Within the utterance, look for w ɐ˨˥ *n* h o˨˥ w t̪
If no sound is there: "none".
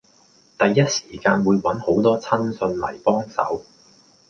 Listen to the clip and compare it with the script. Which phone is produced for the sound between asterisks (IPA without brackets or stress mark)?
n